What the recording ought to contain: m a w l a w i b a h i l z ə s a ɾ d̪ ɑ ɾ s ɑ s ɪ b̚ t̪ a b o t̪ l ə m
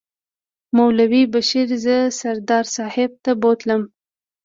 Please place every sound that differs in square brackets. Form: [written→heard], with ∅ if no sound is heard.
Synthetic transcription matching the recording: m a w l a w i b a [h→ʃ] i [l→ɾ] z ə s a ɾ d̪ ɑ ɾ s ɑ [s→h] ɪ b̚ t̪ a b o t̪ l ə m